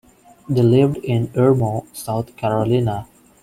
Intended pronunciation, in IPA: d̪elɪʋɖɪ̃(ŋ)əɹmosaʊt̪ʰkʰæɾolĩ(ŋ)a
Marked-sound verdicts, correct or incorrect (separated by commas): incorrect, incorrect